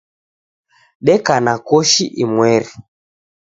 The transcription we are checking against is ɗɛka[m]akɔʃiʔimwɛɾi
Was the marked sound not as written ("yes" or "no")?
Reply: yes